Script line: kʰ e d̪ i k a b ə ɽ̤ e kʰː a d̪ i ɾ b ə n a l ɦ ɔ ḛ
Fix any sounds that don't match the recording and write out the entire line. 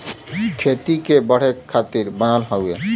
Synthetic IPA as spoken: kʰ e t̪ i k e b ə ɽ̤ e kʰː a t̪ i ɾ b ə n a l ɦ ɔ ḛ